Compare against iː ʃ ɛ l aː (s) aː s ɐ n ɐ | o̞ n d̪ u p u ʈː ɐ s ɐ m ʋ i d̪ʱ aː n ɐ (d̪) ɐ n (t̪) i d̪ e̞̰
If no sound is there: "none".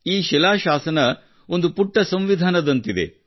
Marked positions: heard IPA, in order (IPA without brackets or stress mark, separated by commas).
ʃ, d̪, t̪